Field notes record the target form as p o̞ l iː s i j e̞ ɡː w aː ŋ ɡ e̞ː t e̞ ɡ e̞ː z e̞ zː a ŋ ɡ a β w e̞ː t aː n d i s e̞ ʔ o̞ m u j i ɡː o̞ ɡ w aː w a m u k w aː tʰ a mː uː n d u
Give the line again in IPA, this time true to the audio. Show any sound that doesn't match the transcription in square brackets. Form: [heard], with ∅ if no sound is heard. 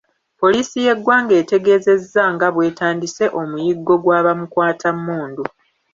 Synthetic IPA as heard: p o̞ l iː s i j e̞ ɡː w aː ŋ ɡ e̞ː t e̞ ɡ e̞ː z e̞ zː a ŋ ɡ a β w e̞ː t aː n d i s e̞ ʔ o̞ m u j i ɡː o̞ ɡ w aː [β] a m u k w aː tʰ a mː uː n d u